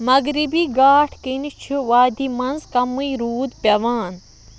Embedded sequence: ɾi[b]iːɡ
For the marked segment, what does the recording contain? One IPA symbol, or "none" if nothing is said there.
b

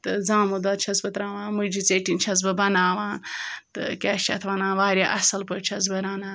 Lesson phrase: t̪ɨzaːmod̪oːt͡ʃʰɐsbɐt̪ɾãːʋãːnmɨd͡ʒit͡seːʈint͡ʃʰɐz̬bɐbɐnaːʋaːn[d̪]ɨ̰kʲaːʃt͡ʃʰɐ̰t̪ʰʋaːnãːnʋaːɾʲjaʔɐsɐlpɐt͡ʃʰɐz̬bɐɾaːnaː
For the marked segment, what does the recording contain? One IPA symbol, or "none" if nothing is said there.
t̪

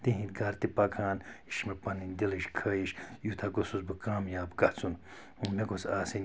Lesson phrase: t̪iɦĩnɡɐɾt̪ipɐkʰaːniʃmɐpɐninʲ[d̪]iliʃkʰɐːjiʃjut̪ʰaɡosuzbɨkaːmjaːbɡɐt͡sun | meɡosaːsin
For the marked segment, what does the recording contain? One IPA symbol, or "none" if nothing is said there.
d̪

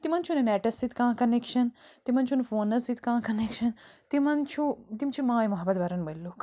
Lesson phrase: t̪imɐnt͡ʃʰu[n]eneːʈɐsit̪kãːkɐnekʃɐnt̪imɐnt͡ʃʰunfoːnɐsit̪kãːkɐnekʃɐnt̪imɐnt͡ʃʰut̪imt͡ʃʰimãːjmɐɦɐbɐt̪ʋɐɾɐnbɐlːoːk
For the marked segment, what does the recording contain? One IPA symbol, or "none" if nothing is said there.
n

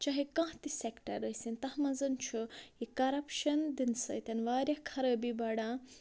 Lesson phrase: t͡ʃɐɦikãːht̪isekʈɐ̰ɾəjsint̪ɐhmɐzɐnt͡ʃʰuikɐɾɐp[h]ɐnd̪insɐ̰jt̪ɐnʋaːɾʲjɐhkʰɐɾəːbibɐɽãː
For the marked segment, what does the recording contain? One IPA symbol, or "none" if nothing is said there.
ʃ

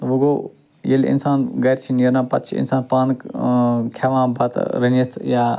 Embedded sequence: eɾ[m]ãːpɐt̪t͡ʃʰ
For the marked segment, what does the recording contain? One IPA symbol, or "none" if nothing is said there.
n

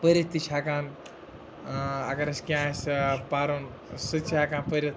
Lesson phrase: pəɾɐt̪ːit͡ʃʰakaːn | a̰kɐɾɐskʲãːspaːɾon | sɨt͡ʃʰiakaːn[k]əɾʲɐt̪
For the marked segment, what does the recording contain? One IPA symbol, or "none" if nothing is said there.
p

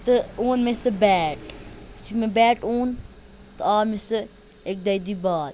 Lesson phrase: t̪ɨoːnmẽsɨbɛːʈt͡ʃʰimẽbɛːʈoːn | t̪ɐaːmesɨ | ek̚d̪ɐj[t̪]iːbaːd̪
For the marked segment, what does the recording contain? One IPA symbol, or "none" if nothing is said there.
d̪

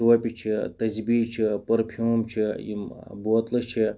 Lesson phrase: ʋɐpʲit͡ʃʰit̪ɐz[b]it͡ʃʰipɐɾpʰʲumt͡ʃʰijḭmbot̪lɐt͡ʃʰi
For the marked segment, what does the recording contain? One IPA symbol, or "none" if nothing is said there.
b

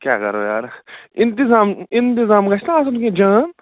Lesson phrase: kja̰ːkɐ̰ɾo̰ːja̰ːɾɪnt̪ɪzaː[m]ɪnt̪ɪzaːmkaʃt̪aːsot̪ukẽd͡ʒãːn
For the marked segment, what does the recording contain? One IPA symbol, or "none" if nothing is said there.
m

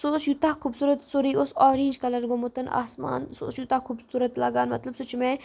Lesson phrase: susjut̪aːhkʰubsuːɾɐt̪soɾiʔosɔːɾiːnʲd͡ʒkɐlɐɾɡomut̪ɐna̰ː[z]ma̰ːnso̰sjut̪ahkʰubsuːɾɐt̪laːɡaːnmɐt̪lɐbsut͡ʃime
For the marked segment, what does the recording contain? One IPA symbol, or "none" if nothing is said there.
s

